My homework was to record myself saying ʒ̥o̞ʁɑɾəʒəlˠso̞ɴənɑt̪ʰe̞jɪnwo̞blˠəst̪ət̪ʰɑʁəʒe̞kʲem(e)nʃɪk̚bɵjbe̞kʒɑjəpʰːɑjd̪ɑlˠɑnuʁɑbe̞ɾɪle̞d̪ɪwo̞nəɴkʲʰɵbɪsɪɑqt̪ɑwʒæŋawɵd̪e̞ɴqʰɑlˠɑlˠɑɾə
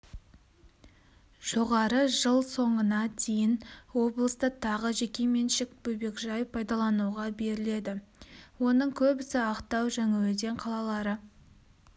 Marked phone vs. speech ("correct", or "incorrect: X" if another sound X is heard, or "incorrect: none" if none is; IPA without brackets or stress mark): correct